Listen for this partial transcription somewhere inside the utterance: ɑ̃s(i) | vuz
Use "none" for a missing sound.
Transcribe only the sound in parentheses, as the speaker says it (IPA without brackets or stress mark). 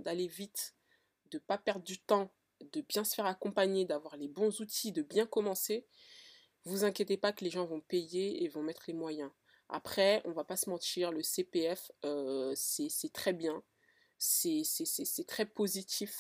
e